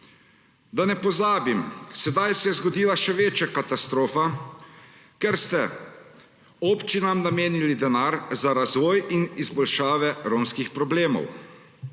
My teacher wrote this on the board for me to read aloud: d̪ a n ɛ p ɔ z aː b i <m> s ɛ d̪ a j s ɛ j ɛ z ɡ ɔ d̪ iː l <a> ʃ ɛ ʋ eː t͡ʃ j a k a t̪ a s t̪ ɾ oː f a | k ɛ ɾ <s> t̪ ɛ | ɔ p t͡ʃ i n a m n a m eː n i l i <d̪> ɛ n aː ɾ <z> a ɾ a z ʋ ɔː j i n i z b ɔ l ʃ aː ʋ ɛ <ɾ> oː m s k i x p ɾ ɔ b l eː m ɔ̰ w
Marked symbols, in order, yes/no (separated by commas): yes, yes, yes, yes, yes, yes